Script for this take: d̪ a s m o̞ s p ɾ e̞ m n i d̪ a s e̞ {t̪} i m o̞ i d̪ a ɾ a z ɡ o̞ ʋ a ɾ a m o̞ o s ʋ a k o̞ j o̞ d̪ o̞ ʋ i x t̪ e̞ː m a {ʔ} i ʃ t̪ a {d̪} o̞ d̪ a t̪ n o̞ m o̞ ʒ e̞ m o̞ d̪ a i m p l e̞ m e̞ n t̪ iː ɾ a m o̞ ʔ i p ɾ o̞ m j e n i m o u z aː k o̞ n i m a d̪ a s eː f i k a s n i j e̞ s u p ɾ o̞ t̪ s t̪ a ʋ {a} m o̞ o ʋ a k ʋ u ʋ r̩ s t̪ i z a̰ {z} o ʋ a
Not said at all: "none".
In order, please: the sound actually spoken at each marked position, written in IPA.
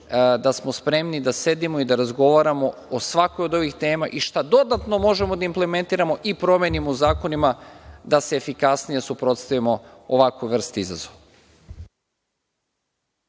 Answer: d̪, ʔ, d̪, i, z

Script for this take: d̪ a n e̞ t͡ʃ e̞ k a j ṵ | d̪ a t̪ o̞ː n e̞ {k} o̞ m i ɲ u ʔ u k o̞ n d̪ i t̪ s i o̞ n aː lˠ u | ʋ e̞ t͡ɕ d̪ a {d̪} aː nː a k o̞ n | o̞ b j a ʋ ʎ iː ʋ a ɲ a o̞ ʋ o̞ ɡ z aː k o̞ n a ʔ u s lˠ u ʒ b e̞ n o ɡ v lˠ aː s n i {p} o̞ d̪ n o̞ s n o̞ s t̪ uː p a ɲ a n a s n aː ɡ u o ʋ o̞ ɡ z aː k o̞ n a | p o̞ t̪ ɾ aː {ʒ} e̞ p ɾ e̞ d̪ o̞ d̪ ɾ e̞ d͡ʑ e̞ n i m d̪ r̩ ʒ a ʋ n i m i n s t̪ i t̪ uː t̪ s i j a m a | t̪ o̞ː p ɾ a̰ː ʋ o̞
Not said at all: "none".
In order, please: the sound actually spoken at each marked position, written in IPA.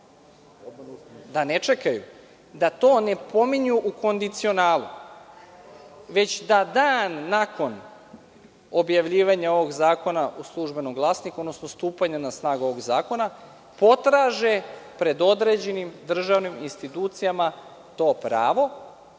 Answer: p, d̪, k, ʒ

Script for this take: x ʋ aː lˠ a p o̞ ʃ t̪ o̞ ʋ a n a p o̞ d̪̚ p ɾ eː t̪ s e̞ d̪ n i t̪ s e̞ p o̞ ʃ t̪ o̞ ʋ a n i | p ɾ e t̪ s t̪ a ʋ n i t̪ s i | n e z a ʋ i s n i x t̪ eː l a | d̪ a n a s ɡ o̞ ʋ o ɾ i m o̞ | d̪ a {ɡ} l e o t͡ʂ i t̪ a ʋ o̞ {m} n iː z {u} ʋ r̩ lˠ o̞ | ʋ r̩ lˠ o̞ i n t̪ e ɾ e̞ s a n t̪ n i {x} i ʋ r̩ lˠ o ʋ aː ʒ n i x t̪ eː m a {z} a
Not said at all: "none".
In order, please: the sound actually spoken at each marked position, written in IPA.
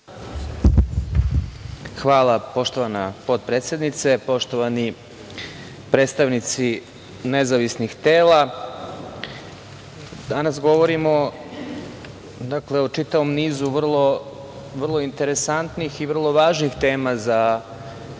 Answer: k, m, u, x, z

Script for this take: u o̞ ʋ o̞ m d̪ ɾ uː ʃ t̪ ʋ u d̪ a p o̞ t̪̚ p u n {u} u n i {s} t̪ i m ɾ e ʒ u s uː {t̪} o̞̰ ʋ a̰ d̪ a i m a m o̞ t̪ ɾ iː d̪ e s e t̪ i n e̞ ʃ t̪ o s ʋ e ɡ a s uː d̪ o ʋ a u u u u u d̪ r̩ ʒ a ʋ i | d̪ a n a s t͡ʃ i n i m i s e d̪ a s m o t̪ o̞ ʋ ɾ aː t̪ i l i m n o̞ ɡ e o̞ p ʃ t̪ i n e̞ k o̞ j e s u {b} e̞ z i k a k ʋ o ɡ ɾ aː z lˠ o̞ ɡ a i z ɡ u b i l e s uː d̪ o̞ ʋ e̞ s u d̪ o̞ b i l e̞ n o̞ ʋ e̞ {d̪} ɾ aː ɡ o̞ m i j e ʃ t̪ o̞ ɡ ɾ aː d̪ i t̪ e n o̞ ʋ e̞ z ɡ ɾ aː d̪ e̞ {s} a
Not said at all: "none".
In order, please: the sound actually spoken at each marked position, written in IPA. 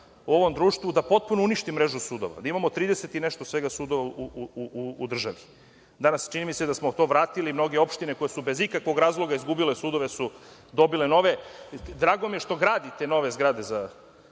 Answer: o, ʃ, d̪, b, d̪, z

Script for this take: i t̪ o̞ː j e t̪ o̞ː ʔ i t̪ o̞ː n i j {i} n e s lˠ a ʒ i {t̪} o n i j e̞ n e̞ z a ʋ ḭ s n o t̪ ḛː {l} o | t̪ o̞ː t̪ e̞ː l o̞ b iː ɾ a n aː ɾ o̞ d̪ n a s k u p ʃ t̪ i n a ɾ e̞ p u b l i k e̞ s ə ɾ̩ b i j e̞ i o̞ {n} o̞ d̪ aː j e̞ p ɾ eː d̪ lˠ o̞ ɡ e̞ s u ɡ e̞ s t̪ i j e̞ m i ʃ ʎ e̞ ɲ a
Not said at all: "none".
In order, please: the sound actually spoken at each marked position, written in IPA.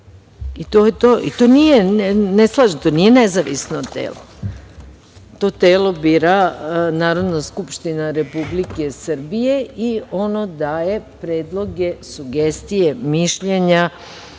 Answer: e, t̪, l, n

